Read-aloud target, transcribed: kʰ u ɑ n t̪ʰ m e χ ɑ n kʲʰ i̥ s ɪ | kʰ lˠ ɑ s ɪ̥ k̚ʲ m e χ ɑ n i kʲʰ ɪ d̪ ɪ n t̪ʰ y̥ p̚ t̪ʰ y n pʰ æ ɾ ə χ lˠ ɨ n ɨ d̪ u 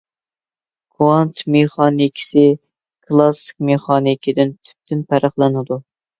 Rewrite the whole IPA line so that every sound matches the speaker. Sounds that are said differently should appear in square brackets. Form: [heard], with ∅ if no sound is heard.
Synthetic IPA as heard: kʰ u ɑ n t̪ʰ m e χ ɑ n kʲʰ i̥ s ɪ | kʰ lˠ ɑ s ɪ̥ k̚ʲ m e χ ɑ n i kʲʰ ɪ d̪ ɪ n t̪ʰ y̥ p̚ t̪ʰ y n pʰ æ ɾ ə χ lˠ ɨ n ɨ d̪ u